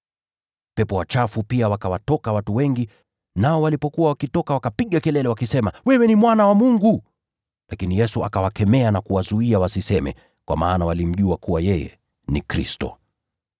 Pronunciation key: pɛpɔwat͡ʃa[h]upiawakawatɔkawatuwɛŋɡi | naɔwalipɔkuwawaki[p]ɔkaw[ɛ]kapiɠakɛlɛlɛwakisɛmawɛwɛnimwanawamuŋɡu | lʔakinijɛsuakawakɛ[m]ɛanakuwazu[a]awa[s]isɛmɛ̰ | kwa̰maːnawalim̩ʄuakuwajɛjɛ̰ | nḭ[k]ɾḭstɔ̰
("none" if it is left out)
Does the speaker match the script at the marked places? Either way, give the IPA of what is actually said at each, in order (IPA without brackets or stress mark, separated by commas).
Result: f, t, a, m, i, s, k